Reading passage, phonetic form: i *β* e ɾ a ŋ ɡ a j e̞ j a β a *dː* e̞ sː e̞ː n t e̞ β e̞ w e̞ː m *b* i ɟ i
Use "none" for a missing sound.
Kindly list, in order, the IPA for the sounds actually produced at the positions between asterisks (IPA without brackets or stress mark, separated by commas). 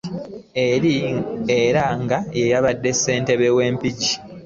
none, dː, p